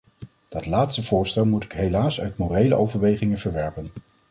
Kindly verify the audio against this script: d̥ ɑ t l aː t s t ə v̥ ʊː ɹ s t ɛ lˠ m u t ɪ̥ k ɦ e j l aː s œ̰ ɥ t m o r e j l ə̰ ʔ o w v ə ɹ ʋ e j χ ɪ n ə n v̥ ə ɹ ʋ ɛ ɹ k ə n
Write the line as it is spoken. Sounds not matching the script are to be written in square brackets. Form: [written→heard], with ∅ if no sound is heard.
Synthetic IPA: d̥ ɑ t l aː t s t ə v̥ ʊː ɹ s t ɛ lˠ m u t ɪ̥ k ɦ e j l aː s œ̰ ɥ t m o r e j l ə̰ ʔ o w v ə ɹ ʋ e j χ ɪ [n→ŋ] ə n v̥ ə ɹ ʋ ɛ ɹ [k→p] ə n